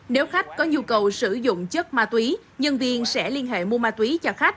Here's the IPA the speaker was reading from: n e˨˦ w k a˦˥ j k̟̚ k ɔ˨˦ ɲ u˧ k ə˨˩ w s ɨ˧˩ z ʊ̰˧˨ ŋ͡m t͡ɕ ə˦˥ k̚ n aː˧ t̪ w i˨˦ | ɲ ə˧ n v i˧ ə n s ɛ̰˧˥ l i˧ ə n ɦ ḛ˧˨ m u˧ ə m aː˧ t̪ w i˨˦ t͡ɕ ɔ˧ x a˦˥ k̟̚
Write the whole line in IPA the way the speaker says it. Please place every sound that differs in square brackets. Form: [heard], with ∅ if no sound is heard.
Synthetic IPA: n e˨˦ w [x] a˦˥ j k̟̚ k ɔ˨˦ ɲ u˧ k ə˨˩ w s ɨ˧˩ z ʊ̰˧˨ ŋ͡m t͡ɕ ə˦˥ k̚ [m] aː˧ t̪ w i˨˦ | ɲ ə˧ n v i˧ ə n s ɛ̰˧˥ l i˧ ə n ɦ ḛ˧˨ m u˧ ə m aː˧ t̪ w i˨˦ t͡ɕ ɔ˧ x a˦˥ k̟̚